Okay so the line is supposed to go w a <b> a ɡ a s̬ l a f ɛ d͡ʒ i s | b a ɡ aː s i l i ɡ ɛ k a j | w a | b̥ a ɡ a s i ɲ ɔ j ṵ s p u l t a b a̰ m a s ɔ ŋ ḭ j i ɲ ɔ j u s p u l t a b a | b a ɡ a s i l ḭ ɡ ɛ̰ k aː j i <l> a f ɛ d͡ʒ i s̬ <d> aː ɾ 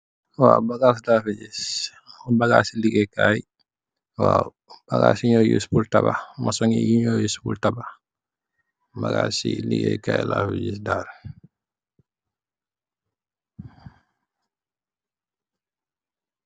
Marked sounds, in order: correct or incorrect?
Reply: correct, correct, correct

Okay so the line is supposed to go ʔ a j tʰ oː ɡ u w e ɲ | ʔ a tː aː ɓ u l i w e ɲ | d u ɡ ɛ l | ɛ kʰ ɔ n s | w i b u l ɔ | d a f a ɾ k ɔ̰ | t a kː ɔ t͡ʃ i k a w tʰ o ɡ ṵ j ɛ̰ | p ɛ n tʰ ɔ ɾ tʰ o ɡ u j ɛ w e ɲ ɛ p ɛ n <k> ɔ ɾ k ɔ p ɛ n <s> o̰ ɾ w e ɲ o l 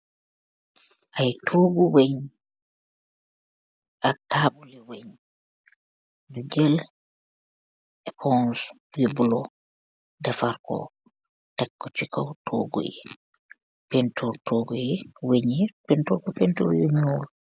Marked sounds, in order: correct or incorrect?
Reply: incorrect, incorrect

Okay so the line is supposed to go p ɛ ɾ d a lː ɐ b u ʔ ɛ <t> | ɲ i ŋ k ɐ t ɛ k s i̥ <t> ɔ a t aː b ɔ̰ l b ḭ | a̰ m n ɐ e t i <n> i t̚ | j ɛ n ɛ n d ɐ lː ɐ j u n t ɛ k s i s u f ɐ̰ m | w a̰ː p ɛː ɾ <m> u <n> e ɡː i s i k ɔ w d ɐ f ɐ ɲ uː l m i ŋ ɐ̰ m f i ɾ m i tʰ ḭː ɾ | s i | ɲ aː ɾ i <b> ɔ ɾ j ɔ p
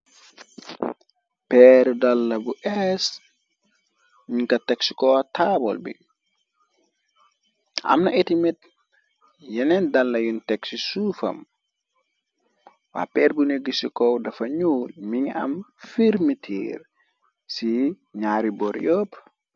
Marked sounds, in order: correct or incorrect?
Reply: incorrect, incorrect, incorrect, incorrect, correct, correct

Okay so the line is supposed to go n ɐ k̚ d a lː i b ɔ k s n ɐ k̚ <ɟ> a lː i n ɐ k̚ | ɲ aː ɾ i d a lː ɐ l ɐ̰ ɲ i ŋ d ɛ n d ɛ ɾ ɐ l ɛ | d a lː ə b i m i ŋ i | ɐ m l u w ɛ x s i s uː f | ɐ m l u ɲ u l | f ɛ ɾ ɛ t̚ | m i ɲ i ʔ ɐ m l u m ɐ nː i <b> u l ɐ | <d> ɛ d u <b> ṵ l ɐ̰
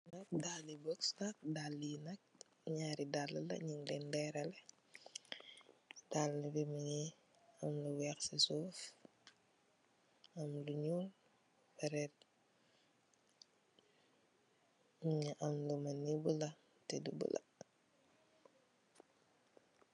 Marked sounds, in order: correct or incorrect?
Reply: incorrect, correct, incorrect, correct

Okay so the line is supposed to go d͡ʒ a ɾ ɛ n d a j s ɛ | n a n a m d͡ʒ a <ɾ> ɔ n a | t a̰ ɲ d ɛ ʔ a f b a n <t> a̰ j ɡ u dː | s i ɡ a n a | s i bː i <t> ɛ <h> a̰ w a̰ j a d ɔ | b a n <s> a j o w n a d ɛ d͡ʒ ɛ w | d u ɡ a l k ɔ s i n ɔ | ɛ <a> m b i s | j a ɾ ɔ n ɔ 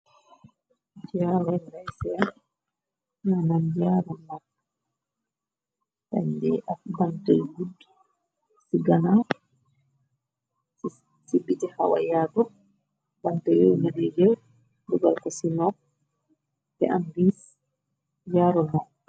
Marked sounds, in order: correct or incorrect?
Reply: correct, correct, correct, correct, incorrect, correct

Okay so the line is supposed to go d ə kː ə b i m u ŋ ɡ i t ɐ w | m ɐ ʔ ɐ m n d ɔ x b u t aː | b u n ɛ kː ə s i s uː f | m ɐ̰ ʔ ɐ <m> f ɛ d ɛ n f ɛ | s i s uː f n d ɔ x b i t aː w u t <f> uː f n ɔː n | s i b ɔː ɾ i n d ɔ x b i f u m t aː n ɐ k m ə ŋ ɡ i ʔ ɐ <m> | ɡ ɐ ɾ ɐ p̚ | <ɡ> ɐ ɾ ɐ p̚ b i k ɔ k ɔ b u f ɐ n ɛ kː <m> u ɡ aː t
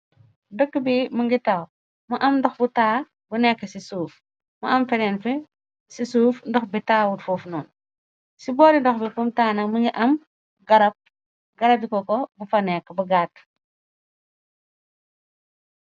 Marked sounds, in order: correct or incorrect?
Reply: correct, correct, correct, correct, incorrect

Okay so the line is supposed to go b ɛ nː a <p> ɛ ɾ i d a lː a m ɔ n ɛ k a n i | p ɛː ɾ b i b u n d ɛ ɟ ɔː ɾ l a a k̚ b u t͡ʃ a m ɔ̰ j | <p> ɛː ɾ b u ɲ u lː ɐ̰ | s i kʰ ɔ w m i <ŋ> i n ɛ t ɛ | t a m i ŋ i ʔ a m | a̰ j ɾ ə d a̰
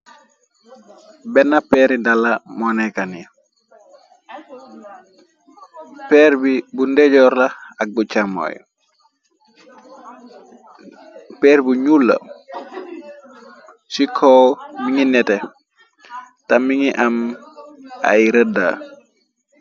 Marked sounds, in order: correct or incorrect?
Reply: correct, correct, correct

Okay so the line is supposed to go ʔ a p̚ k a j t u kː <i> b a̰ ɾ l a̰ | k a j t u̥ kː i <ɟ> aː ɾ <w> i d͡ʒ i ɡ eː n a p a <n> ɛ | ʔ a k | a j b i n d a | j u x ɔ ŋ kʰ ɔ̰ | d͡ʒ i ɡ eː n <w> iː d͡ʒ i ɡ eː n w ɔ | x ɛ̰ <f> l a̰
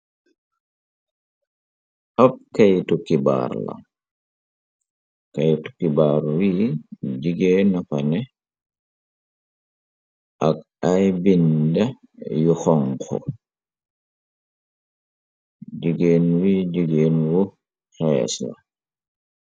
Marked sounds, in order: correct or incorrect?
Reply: correct, incorrect, correct, correct, correct, incorrect

